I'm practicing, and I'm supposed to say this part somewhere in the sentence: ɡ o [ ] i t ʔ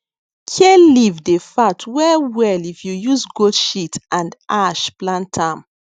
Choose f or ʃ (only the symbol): ʃ